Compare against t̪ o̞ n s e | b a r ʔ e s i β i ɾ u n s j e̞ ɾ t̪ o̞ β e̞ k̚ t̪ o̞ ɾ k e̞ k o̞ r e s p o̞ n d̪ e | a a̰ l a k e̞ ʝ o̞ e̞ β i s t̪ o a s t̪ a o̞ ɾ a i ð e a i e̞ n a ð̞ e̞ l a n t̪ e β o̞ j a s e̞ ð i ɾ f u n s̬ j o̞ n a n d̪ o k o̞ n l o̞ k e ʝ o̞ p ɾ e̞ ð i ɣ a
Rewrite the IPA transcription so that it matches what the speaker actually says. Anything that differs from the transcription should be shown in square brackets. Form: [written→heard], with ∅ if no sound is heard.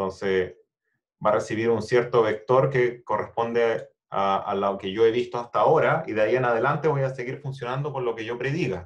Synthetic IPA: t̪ o̞ n s e | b a r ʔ e s i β i ɾ u n s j e̞ ɾ t̪ o̞ β e̞ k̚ t̪ o̞ ɾ k e̞ k o̞ r e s p o̞ n d̪ e | a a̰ l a k e̞ ʝ o̞ e̞ β i s t̪ o a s t̪ a o̞ ɾ a i ð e a i e̞ n a ð̞ e̞ l a n t̪ e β o̞ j a s e̞ [ð→ɣ] i ɾ f u n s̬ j o̞ n a n d̪ o k o̞ n l o̞ k e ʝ o̞ p ɾ e̞ ð i ɣ a

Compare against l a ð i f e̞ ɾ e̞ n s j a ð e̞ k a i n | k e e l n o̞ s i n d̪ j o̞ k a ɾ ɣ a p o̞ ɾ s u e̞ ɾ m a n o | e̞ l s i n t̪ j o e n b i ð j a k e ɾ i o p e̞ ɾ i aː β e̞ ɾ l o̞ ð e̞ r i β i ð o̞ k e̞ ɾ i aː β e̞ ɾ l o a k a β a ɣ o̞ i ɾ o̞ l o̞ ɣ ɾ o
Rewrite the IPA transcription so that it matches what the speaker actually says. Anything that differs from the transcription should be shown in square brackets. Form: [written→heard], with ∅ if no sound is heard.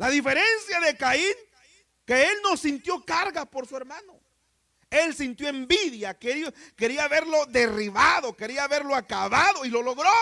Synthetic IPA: l a ð i f e̞ ɾ e̞ n s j a ð e̞ k a i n | k e e l n o̞ s i n [d̪→t̪] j o̞ k a ɾ ɣ a p o̞ ɾ s u e̞ ɾ m a n o | e̞ l s i n t̪ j o e [n→m] b i ð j a k e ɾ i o [p→k] e̞ ɾ i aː β e̞ ɾ l o̞ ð e̞ r i β [i→a] ð o̞ k e̞ ɾ i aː β e̞ ɾ l o a k a β a [ɣ→ð] o̞ i [ɾ→l] o̞ l o̞ ɣ ɾ o

